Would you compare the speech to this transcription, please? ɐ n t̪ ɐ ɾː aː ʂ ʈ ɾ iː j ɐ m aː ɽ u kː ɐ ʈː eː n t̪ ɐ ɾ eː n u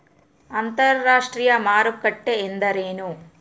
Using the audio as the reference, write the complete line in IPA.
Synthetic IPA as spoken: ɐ n t̪ ɐ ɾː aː ʂ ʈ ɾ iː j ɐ m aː ɾ u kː ɐ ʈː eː n d̪ ɐ ɾ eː n u